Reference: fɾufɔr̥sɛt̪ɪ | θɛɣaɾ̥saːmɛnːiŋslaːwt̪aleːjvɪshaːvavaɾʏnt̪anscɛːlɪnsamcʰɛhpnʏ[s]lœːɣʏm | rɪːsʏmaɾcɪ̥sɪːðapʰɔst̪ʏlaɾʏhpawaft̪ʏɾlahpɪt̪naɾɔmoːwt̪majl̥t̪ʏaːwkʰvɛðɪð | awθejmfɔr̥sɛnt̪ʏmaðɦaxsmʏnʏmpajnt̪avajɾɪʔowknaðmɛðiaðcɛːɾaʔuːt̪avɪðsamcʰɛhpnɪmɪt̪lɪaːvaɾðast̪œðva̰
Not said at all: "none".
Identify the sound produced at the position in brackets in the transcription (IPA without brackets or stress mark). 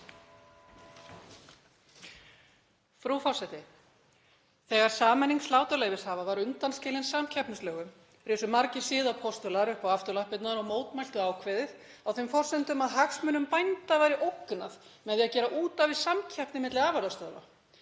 s